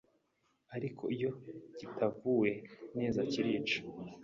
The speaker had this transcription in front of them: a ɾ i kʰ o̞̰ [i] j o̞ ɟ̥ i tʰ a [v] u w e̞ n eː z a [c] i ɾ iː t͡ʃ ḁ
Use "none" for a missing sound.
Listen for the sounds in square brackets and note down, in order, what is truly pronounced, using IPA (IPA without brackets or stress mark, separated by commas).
i, v, c